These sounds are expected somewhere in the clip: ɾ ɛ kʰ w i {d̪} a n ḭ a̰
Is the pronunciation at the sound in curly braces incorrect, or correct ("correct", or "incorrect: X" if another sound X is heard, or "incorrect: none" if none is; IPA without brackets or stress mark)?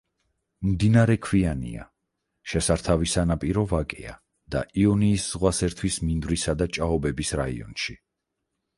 incorrect: none